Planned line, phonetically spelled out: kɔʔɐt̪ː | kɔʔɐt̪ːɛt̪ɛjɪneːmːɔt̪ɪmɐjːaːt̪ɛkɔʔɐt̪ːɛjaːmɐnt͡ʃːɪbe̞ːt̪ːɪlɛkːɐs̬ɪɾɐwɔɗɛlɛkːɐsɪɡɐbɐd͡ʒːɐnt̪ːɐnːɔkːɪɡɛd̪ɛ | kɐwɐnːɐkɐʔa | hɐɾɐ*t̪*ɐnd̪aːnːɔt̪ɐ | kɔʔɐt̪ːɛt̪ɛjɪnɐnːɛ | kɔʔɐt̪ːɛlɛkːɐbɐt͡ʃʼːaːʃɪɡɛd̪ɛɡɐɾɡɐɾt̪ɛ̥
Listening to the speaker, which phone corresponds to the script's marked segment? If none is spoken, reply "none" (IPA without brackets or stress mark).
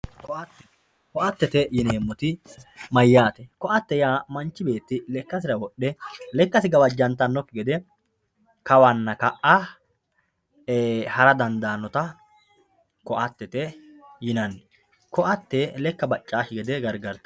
d̪